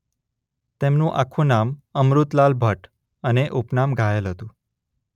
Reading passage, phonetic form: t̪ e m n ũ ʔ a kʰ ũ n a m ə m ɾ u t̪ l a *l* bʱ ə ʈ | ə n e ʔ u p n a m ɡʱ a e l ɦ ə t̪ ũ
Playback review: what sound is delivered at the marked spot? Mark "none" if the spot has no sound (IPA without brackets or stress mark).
l